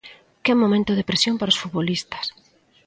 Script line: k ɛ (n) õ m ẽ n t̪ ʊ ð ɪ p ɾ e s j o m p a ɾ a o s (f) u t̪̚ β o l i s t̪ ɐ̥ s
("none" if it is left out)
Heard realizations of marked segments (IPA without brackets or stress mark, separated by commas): m, f